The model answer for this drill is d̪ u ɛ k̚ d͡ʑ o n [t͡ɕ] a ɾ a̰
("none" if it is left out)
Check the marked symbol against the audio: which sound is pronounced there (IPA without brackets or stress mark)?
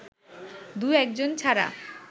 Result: t͡ɕʰ